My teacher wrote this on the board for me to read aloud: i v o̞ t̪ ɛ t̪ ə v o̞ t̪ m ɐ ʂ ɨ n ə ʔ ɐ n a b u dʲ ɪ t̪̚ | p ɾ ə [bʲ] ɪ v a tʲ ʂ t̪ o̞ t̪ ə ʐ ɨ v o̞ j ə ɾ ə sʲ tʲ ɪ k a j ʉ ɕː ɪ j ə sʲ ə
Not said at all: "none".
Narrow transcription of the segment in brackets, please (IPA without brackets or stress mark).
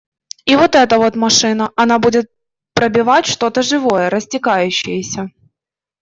bʲ